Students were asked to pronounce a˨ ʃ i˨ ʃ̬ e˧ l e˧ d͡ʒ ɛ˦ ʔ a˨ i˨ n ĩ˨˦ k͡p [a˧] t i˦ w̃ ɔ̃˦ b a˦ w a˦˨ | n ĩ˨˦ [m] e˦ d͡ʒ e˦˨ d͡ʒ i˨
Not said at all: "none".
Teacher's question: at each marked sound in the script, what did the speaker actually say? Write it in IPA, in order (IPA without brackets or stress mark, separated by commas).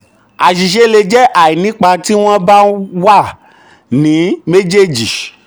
a˧, m